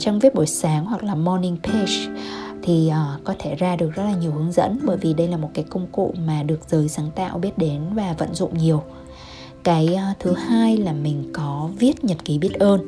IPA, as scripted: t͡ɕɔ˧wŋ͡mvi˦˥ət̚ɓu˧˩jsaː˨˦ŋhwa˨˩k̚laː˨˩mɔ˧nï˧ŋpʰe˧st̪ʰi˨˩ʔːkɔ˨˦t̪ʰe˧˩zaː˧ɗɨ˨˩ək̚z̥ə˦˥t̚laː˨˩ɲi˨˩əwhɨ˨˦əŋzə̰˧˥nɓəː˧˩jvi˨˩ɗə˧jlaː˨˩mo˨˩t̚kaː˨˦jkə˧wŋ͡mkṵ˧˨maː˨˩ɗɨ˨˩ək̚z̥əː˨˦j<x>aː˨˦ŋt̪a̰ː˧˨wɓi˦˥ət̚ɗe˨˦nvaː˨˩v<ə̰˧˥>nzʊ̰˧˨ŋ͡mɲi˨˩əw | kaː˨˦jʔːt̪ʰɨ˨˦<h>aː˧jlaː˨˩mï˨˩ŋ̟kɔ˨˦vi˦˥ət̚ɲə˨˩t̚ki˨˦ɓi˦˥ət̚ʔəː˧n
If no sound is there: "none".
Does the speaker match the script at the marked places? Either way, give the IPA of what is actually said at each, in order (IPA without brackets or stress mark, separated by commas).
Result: s, ə̰˧˨, h